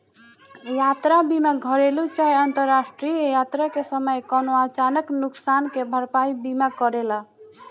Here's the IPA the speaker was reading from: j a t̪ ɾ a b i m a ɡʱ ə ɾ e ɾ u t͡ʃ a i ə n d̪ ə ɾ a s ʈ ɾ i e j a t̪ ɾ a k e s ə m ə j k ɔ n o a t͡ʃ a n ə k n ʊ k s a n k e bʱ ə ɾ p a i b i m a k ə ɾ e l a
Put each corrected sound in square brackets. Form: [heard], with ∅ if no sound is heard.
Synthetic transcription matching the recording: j a t̪ ɾ a b i m a ɡʱ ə ɾ e [l] u t͡ʃ a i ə n [t̪] ə ɾ a s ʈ ɾ i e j a t̪ ɾ a k e s ə m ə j k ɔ n o a t͡ʃ a n ə k n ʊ k s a n k e bʱ ə ɾ p a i b i m a k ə ɾ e l a